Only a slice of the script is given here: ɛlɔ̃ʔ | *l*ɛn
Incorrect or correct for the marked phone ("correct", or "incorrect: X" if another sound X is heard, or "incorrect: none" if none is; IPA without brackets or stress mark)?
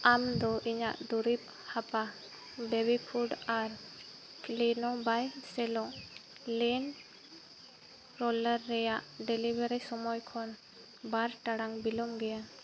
correct